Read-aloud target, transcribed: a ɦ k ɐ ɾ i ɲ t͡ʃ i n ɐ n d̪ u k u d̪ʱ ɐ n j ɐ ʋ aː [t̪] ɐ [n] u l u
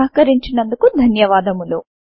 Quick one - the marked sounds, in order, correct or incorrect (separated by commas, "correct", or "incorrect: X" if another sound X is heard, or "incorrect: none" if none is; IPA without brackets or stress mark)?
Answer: incorrect: d̪, incorrect: m